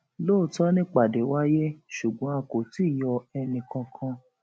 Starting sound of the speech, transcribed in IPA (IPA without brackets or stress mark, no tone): l